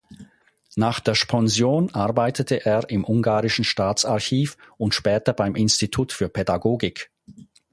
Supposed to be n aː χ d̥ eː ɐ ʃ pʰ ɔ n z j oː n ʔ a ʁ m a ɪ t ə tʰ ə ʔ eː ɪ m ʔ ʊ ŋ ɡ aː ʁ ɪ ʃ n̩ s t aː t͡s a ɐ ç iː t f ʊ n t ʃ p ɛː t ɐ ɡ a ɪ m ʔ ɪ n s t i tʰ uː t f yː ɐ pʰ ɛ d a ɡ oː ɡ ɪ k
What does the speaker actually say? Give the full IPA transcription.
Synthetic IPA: n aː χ d̥ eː ɐ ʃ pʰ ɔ n z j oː n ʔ a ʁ b a ɪ t ə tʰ ə ʔ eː ɪ m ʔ ʊ ŋ ɡ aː ʁ ɪ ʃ n̩ ʃ t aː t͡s a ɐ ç iː f ʊ n t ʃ p ɛː t ɐ b a ɪ m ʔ ɪ n s t i tʰ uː t f yː ɐ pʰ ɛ d a ɡ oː ɡ ɪ k